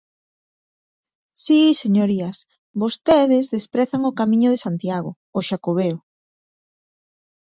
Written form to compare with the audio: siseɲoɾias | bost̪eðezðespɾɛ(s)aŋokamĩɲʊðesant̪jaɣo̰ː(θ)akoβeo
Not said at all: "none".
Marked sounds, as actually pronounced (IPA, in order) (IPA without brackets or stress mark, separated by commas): θ, ʃ